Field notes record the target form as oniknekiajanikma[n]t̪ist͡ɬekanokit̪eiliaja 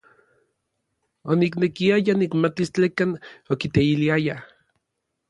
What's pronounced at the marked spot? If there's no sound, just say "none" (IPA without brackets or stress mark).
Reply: none